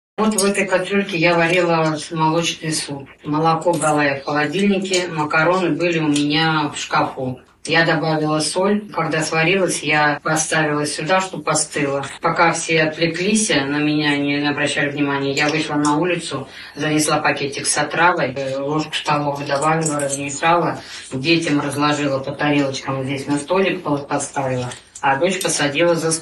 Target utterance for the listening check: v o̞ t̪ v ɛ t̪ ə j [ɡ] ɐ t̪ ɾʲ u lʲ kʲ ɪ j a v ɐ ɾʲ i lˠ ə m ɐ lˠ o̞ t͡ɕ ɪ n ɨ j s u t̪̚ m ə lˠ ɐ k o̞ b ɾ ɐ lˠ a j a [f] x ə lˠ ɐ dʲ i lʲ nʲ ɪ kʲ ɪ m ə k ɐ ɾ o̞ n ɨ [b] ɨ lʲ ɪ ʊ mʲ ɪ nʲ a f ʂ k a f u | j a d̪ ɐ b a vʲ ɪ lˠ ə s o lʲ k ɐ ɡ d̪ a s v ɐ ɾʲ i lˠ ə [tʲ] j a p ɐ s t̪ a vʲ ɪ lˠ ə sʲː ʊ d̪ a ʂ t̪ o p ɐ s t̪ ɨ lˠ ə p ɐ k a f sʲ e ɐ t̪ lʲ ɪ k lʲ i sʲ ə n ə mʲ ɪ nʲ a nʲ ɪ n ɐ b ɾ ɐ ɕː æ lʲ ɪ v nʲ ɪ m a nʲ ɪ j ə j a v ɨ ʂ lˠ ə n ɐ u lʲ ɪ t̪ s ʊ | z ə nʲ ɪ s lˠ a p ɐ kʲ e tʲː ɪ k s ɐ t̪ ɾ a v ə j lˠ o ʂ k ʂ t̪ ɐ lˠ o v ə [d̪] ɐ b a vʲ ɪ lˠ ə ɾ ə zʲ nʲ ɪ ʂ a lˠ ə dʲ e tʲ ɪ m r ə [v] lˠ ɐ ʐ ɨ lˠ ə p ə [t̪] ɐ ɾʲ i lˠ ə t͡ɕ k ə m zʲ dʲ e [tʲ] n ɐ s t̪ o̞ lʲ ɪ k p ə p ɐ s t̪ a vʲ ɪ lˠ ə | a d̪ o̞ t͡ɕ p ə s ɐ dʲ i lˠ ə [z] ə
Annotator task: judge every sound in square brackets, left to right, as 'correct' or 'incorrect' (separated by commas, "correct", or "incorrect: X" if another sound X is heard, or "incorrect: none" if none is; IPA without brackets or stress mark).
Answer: incorrect: k, correct, correct, incorrect: sʲ, correct, incorrect: z, correct, incorrect: sʲ, correct